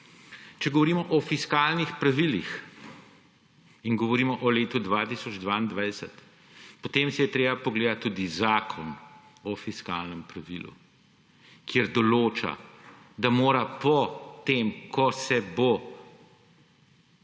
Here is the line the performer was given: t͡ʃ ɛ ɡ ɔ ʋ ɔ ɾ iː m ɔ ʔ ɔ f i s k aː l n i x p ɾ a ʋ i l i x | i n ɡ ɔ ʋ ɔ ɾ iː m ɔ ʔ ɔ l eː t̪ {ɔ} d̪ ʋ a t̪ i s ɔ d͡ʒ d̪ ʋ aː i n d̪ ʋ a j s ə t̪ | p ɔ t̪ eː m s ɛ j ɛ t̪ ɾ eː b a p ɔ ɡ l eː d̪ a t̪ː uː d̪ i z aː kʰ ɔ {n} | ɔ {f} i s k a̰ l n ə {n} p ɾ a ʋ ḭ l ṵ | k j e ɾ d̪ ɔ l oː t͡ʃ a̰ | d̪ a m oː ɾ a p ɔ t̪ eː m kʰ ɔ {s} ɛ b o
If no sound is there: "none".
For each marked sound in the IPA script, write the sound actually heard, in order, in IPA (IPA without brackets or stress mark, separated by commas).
u, n, f, m, s